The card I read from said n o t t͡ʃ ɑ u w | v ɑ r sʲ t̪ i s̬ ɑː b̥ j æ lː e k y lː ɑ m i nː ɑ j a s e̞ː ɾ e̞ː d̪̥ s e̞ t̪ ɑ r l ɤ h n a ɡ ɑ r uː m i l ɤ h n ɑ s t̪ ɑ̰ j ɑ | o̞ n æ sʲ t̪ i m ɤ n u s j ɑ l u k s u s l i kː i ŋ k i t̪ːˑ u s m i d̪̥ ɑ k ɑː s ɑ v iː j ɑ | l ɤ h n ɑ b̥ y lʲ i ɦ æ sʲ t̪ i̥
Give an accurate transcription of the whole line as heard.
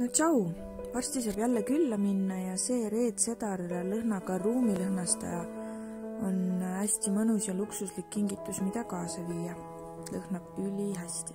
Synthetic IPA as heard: n o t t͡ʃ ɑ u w | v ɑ r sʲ t̪ i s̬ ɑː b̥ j æ lː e k y lː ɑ m i nː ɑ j ɑ s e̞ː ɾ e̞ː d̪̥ s e̞ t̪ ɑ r l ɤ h n ɑ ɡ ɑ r uː m i l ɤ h n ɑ s t̪ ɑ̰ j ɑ | o̞ n æ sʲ t̪ i m ɤ n u s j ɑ l u k s u s l i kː i ŋ ɡ i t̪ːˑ u s m i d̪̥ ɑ k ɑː s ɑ v iː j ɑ | l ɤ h n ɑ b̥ y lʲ i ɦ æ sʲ t̪ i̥